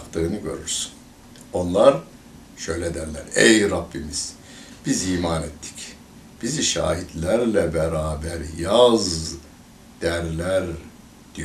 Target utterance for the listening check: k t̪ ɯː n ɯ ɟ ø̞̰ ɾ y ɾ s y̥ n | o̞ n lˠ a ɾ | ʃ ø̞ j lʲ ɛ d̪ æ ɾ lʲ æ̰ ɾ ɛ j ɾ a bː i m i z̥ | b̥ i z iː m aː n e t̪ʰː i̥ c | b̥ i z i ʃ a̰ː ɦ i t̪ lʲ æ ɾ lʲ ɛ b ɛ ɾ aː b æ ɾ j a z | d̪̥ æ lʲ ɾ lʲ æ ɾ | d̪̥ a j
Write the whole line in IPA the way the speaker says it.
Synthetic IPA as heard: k t̪ ɯː n ɯ ɟ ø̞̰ ɾ y ɾ s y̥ n | o̞ n lˠ a ɾ | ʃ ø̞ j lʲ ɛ d̪ æ ɾ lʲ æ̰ ɾ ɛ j ɾ a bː i m i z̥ | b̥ i z iː m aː n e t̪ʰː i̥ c | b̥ i z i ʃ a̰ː ɦ i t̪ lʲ æ ɾ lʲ ɛ b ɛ ɾ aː b æ ɾ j a z | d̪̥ æ ɾ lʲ æ ɾ | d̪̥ i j